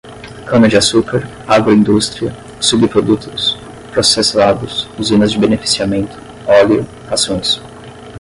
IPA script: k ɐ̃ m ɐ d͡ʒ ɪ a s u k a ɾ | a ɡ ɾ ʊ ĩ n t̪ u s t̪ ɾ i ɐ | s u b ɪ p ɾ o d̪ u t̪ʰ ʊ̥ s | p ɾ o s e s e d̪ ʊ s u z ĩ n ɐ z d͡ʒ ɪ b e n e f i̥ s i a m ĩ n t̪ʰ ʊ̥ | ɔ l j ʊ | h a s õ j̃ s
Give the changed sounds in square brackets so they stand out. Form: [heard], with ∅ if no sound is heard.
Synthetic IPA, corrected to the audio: k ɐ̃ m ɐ d͡ʒ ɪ a s u k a ɾ | a ɡ ɾ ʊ ĩ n [d̪] u s t̪ ɾ i ɐ | s u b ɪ p ɾ o d̪ u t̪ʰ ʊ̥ s | p ɾ o s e s [a] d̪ ʊ s u z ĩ n ɐ z d͡ʒ ɪ b e n e f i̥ s i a m [ẽ] n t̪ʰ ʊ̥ | ɔ l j ʊ | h a s õ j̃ s